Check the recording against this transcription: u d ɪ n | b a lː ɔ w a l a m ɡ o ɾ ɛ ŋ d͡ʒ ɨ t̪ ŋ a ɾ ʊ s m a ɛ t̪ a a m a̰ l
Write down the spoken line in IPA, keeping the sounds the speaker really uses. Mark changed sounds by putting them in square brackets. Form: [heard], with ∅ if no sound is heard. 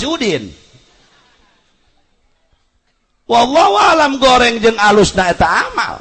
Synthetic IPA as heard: u d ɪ n | [w] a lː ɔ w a l a m ɡ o ɾ ɛ ŋ d͡ʒ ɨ [∅] ŋ a [l] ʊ s [n] a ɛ t̪ a a m a̰ l